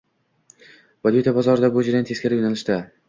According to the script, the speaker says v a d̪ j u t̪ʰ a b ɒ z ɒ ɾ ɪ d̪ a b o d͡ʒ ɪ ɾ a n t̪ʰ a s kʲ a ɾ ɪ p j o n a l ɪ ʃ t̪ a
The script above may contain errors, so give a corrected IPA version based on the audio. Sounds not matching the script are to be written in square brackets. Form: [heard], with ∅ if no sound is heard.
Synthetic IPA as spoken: v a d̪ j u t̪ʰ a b ɒ z ɒ ɾ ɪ d̪ a b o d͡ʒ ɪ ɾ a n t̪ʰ [e] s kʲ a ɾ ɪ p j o n a l ɪ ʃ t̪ a